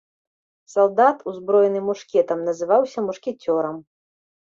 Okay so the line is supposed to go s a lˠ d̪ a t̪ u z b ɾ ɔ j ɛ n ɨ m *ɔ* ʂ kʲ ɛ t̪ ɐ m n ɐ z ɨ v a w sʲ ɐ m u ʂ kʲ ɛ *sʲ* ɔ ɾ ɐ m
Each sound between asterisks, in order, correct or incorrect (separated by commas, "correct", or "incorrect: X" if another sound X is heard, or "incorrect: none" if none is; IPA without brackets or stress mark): incorrect: u, incorrect: t͡sʲ